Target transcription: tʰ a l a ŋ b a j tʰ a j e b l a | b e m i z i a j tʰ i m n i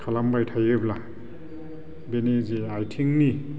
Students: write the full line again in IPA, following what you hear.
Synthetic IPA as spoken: kʰ a l a m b a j tʰ a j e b l a | b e n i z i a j tʰ i ŋ n i